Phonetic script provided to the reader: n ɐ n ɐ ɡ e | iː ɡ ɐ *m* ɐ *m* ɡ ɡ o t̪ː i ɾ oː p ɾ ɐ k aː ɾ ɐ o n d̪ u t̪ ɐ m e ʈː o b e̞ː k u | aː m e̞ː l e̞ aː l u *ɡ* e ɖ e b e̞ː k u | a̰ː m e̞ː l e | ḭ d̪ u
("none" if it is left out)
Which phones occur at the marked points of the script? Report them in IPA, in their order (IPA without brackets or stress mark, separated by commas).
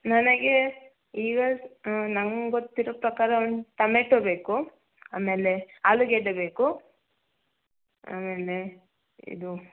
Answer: n, ŋ, ɡ